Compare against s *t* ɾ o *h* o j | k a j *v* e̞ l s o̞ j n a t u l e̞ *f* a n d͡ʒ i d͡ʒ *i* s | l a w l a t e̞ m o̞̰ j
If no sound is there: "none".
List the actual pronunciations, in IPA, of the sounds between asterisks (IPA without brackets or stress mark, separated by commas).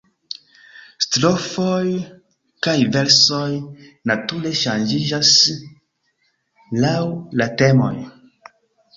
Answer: t, f, v, ʃ, a